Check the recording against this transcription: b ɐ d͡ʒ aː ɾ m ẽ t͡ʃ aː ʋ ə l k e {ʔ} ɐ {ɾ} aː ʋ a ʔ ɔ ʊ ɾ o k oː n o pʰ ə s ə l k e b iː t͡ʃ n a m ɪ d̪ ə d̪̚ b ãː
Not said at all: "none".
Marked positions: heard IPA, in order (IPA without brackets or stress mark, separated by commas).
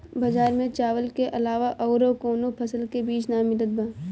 ʔ, l